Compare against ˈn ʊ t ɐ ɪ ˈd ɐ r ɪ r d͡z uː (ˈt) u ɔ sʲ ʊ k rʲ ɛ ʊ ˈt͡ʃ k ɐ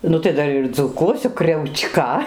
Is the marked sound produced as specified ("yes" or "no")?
no